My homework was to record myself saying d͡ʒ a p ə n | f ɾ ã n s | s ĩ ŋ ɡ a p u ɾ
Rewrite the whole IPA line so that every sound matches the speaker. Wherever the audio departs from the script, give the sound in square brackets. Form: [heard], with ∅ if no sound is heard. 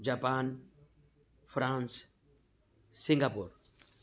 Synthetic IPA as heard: d͡ʒ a p [a] n | f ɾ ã n s | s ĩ ŋ ɡ a p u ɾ